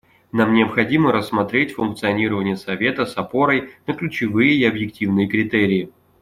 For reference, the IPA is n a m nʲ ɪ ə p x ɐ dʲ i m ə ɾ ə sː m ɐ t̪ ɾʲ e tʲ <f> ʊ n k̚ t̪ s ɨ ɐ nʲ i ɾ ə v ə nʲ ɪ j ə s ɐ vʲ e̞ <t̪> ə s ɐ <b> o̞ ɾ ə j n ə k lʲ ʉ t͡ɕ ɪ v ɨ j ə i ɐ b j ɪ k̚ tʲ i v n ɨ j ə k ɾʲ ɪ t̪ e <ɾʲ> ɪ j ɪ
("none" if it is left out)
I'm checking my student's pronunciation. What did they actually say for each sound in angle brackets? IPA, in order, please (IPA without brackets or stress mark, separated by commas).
f, t̪, p, ɾʲ